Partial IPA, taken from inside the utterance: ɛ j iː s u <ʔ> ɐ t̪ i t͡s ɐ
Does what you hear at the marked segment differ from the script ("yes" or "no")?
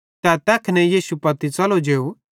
yes